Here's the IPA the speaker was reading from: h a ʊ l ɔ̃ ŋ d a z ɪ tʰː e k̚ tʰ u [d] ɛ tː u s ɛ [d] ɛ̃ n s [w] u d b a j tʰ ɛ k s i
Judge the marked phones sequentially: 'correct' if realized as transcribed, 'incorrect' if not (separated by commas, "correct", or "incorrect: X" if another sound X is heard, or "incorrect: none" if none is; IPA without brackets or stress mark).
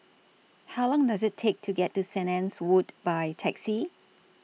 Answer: incorrect: ɡ, incorrect: n, correct